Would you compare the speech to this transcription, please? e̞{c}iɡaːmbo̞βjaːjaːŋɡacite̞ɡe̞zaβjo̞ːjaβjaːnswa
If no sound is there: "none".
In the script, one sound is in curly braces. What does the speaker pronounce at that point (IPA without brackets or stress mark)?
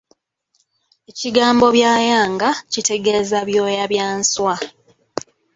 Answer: c